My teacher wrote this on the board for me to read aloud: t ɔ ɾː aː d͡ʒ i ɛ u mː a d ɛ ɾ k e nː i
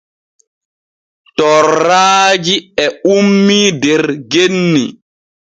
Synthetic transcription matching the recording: t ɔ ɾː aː d͡ʒ i ɛ u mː i d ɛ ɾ ɡ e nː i